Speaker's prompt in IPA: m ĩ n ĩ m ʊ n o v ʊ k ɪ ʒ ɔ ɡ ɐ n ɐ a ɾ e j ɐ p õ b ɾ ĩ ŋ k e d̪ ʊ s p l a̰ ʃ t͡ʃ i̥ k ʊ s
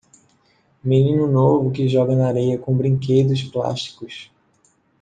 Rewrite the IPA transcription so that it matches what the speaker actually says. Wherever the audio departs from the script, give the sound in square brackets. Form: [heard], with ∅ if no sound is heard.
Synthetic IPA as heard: m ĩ n ĩ [n] ʊ n o v ʊ k ɪ ʒ ɔ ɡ ɐ n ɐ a ɾ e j ɐ [k] õ b ɾ ĩ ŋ k e d̪ ʊ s p l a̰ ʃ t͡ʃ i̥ k ʊ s

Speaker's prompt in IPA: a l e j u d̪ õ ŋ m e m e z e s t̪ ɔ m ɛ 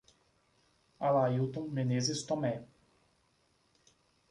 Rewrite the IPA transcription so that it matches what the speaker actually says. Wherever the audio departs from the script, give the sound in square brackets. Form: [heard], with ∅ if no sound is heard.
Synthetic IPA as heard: a l [a] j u [t̪] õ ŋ m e [n] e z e s t̪ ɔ m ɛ

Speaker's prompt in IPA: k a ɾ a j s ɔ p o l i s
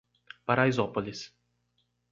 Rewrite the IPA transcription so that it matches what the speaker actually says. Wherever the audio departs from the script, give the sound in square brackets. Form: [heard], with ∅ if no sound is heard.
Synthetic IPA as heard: [p] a ɾ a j [z] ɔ p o l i s

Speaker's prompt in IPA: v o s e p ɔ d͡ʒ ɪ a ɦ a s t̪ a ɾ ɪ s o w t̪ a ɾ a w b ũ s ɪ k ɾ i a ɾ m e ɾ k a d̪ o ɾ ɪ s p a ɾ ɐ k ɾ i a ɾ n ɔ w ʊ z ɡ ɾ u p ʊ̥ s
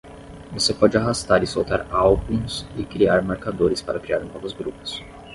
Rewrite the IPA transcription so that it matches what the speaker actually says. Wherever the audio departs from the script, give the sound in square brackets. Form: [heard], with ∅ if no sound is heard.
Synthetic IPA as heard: v o s e p ɔ d͡ʒ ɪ a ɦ a s t̪ a ɾ ɪ s o w t̪ a ɾ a w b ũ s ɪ k ɾ i a ɾ m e ɾ k a d̪ o ɾ ɪ s p a ɾ ɐ k ɾ i a ɾ n ɔ [v] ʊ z ɡ ɾ u p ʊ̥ s

